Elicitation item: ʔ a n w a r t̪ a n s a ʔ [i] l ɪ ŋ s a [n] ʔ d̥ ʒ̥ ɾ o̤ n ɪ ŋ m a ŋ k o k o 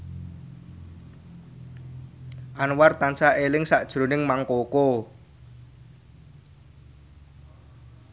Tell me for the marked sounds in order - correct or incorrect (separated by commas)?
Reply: incorrect, incorrect